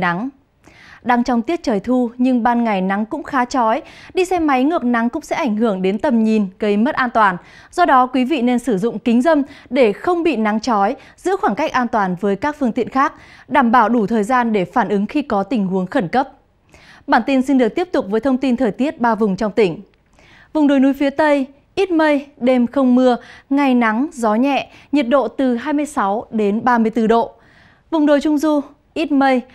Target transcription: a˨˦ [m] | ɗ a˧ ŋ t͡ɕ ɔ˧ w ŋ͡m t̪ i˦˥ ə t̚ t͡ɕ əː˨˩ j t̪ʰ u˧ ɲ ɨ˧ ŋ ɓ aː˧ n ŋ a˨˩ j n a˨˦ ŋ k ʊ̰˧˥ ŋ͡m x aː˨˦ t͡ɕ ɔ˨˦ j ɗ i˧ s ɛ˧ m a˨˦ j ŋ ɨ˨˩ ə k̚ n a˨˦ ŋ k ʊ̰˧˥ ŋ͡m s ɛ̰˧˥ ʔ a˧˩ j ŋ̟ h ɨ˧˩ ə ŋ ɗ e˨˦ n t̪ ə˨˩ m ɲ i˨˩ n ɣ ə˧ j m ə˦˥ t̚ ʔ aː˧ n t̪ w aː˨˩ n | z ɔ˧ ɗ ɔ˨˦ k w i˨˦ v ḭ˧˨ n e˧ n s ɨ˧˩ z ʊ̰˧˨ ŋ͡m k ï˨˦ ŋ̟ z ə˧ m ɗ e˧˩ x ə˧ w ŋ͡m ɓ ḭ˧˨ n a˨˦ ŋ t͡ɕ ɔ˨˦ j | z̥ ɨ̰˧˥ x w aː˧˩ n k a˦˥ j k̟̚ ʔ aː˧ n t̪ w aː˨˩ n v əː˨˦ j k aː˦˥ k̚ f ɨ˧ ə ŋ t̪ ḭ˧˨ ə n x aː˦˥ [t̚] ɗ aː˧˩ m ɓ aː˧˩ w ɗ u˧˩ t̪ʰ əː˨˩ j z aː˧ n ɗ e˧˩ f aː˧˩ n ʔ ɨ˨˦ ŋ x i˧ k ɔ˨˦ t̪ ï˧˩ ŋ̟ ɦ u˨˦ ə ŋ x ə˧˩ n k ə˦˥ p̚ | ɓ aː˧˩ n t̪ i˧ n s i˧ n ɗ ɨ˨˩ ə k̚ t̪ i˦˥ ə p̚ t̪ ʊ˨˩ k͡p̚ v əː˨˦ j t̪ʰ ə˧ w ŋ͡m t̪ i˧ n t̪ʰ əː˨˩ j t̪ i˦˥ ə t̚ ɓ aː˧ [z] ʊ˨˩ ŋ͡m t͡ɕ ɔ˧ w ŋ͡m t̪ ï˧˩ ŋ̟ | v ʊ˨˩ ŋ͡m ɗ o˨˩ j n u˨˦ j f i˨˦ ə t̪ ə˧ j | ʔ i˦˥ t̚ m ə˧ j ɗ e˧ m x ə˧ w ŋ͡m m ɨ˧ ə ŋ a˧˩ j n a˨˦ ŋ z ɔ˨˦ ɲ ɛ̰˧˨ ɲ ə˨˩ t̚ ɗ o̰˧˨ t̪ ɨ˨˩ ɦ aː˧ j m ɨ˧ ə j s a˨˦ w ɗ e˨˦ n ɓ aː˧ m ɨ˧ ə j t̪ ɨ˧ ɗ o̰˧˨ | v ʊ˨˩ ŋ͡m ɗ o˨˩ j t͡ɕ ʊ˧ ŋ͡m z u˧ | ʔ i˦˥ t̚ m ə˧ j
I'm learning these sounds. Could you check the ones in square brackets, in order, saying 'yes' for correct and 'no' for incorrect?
no, no, no

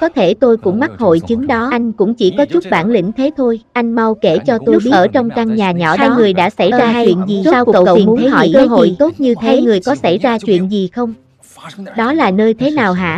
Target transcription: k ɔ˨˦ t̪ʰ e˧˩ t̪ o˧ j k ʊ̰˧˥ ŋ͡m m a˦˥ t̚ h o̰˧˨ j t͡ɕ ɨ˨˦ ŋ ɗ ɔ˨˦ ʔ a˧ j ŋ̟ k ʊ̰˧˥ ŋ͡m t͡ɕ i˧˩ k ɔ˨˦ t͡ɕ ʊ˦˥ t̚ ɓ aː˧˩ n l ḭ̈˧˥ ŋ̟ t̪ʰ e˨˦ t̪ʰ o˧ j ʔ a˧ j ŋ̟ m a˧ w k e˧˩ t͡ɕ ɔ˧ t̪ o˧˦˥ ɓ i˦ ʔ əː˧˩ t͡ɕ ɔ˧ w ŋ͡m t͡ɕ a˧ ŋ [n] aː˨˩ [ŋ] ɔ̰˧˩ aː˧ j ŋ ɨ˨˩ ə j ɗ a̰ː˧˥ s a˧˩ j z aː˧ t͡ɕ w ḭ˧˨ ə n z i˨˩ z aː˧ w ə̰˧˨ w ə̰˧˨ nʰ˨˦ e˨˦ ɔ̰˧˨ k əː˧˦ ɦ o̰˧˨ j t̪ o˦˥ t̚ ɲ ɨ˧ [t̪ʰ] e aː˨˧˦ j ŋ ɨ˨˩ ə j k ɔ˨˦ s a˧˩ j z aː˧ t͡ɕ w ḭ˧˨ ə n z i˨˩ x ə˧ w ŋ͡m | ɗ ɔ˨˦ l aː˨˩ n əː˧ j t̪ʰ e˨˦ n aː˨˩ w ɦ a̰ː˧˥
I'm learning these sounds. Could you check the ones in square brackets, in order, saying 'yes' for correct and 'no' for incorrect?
no, no, yes

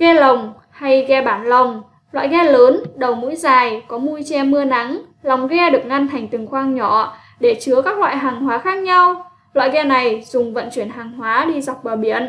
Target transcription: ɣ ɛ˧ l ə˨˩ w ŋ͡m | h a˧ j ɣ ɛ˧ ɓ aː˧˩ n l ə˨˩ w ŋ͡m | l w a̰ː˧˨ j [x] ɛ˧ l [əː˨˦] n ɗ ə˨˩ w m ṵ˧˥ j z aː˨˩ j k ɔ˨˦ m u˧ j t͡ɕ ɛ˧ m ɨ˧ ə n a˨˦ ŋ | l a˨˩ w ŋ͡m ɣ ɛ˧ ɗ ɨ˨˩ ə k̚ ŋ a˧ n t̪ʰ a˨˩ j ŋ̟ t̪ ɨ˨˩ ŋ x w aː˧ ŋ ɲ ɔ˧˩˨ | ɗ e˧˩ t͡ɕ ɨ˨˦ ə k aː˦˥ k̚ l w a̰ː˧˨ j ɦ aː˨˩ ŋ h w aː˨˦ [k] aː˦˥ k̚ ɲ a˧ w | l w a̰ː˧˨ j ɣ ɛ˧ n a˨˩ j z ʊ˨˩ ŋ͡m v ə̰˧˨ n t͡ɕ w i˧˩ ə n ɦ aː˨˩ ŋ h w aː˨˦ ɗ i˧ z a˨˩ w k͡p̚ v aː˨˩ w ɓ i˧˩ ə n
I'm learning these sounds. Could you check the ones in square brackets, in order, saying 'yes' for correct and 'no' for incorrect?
no, yes, no

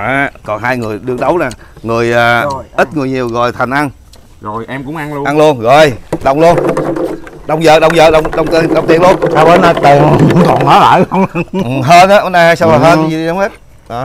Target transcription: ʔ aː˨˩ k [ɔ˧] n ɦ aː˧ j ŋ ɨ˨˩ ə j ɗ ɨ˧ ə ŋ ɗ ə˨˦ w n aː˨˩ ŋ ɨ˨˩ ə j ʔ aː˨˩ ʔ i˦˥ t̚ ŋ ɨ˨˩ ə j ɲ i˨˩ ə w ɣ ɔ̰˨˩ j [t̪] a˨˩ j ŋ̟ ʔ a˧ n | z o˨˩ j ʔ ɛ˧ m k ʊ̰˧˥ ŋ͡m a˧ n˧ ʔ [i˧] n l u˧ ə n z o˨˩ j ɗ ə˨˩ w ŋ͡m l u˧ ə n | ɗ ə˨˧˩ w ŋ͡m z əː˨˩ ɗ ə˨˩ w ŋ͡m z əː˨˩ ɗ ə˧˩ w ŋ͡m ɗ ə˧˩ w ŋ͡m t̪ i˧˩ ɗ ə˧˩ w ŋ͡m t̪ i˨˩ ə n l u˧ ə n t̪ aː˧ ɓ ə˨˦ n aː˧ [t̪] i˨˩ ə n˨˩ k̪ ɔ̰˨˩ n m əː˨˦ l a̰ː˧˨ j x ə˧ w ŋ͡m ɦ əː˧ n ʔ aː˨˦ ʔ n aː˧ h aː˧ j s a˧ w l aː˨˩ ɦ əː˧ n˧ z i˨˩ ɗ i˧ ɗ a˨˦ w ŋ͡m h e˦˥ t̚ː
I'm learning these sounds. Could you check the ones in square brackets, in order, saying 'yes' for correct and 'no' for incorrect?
no, no, no, yes

